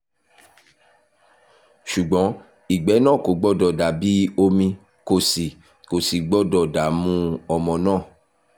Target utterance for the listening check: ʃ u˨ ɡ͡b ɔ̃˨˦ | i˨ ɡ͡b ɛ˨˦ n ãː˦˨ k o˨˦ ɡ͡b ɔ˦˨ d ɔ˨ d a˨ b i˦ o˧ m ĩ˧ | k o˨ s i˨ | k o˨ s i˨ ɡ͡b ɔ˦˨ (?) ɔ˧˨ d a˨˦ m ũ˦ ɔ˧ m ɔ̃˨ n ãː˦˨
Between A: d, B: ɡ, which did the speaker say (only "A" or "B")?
A